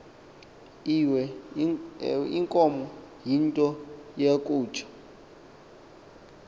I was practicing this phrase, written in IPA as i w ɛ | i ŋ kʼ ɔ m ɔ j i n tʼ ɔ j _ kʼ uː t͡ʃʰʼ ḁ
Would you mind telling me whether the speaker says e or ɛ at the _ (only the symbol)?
e